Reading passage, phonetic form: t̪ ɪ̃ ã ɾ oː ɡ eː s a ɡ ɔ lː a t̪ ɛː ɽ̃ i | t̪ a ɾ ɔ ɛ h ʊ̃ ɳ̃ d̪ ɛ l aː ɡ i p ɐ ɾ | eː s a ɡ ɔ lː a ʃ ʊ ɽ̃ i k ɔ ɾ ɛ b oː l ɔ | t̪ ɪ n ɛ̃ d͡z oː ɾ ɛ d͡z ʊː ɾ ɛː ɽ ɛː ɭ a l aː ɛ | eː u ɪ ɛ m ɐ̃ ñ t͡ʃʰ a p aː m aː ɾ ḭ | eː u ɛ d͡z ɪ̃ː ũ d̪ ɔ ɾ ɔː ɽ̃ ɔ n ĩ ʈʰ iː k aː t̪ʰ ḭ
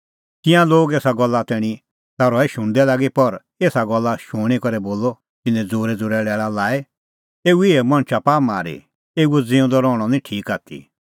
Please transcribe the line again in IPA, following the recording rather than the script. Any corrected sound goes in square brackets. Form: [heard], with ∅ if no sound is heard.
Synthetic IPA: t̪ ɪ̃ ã [l] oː ɡ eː s a ɡ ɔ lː a t̪ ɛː ɽ̃ i | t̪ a ɾ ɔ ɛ [ʃ] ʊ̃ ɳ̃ d̪ ɛ l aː ɡ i p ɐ ɾ | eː s a ɡ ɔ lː a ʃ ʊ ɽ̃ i k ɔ ɾ ɛ b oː l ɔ | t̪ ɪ n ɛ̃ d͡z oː ɾ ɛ d͡z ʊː ɾ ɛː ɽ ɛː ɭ a l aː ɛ | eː u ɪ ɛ m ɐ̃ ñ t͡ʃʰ a p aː m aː ɾ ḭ | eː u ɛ d͡z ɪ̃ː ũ d̪ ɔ ɾ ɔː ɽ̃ ɔ n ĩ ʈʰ iː k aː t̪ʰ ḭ